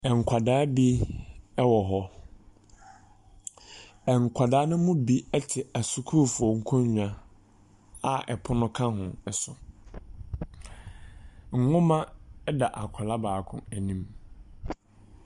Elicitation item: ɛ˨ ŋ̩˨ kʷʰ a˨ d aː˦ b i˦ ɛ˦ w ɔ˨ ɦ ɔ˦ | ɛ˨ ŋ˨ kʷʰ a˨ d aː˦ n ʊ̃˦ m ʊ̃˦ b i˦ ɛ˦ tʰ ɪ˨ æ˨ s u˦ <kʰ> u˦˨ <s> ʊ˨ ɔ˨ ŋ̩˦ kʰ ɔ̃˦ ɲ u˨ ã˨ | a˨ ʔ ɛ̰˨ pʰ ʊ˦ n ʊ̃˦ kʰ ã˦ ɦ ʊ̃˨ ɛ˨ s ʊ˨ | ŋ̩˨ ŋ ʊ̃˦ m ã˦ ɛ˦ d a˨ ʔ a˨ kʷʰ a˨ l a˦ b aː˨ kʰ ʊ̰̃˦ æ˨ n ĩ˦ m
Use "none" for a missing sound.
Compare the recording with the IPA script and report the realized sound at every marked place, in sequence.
kʰ, f

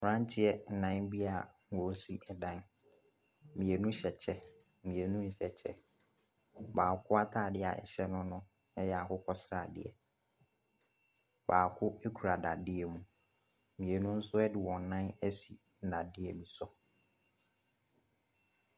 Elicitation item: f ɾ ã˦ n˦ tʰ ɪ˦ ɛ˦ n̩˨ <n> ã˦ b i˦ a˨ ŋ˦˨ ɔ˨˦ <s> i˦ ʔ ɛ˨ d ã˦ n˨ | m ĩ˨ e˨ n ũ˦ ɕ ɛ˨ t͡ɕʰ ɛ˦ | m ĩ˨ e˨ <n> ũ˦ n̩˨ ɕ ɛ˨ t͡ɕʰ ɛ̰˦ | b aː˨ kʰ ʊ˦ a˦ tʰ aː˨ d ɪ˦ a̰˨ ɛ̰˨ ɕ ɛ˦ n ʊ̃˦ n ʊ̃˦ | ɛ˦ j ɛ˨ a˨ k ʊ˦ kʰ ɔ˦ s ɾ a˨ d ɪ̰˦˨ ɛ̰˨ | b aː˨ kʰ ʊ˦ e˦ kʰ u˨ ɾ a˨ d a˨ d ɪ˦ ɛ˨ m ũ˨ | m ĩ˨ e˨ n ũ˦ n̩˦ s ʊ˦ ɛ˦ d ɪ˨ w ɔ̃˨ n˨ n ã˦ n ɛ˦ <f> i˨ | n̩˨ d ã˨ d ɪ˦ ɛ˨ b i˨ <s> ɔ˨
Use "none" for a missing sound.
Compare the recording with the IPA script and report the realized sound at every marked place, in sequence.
n, s, n, s, s

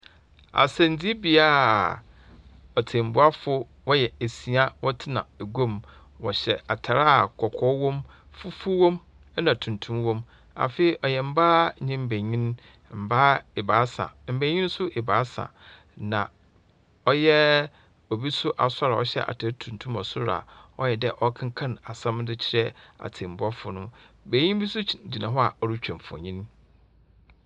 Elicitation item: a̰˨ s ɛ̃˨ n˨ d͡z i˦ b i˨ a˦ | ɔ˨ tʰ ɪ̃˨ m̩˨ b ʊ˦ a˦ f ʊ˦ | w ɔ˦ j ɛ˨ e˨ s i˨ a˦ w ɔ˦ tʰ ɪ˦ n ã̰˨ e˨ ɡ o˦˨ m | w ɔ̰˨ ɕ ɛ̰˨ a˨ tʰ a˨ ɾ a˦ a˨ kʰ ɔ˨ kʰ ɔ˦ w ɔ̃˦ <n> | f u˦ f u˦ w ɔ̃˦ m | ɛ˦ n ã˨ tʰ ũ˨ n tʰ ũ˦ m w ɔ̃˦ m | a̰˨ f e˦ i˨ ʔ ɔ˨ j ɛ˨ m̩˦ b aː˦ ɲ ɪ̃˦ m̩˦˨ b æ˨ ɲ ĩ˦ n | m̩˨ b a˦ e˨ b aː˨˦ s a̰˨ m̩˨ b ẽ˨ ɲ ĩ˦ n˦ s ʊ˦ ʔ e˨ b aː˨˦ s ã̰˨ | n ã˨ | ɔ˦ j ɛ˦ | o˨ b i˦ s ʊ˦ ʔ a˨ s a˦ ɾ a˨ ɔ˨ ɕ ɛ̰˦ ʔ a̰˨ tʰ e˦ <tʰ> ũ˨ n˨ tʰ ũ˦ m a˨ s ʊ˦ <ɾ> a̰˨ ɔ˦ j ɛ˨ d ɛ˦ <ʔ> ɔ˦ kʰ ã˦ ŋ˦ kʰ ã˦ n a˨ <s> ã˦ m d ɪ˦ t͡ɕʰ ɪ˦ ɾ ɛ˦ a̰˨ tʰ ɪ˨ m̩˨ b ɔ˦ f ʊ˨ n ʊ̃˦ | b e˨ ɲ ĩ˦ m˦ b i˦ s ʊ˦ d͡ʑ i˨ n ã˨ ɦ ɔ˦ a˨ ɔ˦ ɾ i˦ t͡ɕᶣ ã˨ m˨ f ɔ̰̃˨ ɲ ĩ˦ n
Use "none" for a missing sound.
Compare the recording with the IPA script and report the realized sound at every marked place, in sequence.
m, tʰ, ɾ, ʔ, s

